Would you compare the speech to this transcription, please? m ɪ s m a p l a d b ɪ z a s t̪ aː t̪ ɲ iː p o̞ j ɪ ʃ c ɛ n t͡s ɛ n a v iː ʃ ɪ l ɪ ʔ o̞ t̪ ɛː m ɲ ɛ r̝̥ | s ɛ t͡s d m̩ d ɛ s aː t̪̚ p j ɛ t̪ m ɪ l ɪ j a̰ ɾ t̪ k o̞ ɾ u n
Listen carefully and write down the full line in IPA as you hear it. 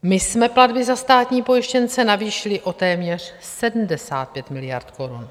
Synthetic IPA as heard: m ɪ s m ɛ p l a d b ɪ z a s t̪ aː t̪ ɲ iː p o̞ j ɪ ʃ c ɛ n t͡s ɛ n a v iː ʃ ɪ l ɪ ʔ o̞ t̪ ɛː m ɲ ɛ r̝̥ | s ɛ d m̩ d ɛ s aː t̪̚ p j ɛ t̪ m ɪ l ɪ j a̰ ɾ t̪ k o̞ ɾ u n